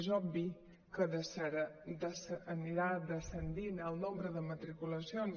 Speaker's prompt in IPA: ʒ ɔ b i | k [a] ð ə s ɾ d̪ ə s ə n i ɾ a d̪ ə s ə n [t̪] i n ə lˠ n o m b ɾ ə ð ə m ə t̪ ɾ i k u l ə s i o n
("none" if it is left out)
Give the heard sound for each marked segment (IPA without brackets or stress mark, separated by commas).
ə, d̪